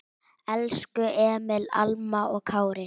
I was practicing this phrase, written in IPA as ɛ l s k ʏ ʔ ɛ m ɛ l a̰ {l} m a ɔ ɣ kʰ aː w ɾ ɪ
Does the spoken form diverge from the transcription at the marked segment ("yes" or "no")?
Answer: no